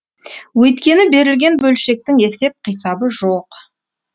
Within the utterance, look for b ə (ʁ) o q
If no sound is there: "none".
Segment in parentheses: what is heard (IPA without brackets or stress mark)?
ʒ